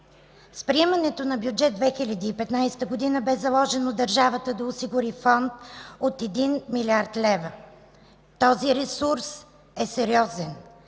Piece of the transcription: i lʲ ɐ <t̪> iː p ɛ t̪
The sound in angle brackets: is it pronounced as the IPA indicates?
no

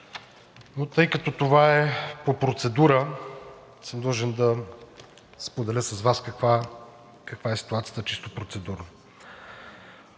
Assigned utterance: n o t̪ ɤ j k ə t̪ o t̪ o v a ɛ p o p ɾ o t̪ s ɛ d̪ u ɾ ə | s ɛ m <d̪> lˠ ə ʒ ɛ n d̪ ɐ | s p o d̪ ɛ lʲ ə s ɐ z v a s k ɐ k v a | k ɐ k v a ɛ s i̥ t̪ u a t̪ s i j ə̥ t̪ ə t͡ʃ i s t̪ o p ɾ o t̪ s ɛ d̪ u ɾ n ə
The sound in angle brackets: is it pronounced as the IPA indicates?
yes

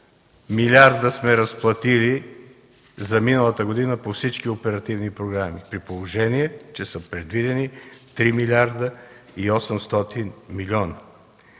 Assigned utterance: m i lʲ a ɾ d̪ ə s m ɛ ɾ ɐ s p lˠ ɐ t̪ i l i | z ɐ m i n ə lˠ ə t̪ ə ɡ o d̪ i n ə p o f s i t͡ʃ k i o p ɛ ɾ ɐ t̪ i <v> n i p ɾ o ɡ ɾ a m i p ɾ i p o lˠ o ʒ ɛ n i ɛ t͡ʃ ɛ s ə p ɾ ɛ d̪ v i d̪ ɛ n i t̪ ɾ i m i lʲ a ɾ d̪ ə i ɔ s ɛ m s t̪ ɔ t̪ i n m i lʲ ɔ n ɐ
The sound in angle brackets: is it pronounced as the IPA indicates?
yes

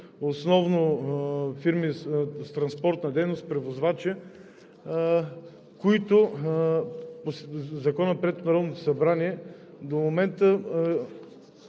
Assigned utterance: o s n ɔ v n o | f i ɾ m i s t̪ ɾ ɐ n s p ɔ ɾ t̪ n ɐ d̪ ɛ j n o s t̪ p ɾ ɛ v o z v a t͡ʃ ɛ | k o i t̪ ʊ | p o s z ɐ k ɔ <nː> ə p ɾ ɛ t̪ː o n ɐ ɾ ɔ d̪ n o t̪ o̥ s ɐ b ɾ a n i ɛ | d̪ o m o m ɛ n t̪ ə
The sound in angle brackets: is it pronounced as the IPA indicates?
no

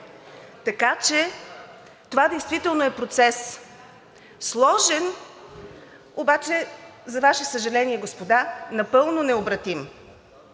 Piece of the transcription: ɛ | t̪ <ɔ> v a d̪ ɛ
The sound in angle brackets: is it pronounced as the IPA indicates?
no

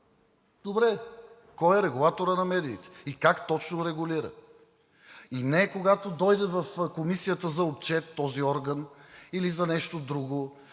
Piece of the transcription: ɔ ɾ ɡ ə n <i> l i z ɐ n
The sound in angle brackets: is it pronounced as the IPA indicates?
yes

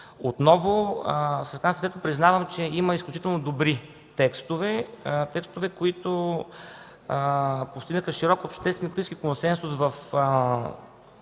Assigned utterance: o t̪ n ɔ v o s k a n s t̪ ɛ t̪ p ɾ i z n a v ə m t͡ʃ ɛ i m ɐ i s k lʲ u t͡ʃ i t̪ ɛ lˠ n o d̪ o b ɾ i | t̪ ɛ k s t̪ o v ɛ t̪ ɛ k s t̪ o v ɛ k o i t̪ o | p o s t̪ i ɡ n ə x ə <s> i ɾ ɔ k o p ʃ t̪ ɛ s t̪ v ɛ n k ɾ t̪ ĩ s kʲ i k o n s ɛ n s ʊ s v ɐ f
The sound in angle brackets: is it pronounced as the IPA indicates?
no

